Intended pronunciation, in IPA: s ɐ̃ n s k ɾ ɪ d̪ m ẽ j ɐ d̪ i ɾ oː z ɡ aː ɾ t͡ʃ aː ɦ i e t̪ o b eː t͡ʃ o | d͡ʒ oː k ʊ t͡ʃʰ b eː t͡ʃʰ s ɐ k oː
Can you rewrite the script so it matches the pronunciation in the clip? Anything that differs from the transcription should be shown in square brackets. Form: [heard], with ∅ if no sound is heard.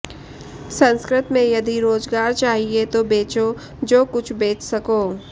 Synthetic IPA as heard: s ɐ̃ n s k ɾ ɪ [t̪] m ẽ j ɐ d̪ i ɾ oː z ɡ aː ɾ t͡ʃ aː ɦ i e t̪ o b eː t͡ʃ o | d͡ʒ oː k ʊ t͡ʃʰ b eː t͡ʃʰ s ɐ k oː